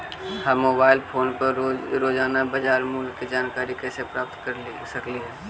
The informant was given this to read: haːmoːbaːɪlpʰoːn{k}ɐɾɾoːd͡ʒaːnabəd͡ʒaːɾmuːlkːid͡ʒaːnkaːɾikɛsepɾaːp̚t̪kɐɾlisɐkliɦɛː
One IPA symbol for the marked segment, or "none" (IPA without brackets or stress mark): p